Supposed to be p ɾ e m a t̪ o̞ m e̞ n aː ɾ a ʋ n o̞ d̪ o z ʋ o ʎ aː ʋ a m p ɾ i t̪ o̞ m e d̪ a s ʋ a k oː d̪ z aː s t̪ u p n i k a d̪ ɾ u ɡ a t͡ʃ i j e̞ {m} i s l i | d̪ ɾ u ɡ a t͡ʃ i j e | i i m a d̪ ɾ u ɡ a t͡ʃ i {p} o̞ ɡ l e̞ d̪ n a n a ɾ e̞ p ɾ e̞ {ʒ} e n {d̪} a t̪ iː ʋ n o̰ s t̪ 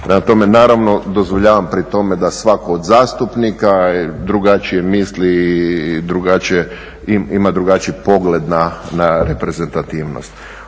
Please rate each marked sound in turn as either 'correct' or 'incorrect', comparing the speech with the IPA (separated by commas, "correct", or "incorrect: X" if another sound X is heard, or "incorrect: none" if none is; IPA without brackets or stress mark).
correct, correct, incorrect: z, incorrect: t̪